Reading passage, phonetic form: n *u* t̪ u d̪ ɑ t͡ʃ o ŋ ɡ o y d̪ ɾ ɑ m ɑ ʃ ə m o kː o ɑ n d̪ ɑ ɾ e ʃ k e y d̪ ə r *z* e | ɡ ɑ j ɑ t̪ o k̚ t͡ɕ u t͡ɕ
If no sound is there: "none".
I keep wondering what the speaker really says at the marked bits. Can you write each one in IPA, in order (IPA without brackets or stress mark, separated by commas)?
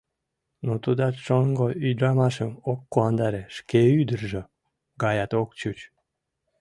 o, ʒ